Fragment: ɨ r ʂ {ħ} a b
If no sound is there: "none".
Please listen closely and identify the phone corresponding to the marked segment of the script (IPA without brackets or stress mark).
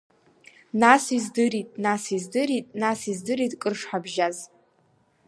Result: ħ